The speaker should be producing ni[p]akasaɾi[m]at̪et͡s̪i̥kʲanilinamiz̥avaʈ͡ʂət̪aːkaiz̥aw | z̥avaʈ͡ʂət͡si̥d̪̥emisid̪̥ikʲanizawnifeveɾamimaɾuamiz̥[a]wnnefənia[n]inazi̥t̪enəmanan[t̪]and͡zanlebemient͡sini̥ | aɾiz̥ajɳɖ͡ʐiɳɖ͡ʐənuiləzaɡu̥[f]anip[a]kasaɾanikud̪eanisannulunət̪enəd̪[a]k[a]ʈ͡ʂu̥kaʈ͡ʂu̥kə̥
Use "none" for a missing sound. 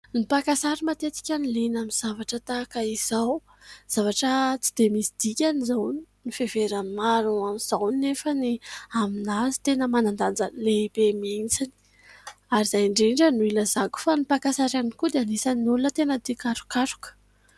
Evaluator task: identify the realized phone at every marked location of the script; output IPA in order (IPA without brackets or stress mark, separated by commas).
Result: p, m, a, m, d̪, f, a, i, a